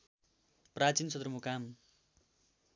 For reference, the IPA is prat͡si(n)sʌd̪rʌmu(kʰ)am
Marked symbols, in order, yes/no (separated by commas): yes, no